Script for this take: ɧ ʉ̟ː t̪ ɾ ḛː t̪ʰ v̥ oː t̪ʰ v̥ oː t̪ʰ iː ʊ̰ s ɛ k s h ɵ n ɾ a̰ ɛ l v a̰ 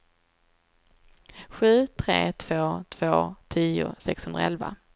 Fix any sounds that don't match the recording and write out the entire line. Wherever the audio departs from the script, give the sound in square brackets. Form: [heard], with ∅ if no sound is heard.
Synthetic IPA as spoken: ɧ ʉ̟ː [t̪ʰ] ɾ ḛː t̪ʰ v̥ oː t̪ʰ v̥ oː t̪ʰ iː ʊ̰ s ɛ k s h ɵ n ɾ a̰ ɛ l v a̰